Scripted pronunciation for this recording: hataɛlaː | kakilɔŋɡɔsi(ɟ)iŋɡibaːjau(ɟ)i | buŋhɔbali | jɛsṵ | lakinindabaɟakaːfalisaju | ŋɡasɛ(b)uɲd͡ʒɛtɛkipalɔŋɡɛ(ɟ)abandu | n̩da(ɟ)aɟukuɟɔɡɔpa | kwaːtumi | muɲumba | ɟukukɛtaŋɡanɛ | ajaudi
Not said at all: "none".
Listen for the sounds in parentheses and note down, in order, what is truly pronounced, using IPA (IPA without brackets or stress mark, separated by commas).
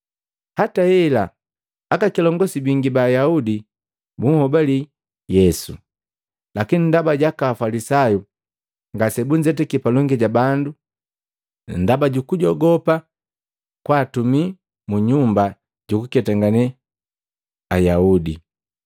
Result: b, d, b, ɟ, b